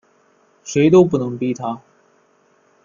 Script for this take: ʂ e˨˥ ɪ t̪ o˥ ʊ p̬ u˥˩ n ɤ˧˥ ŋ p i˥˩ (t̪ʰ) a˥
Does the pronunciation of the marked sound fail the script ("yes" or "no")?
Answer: no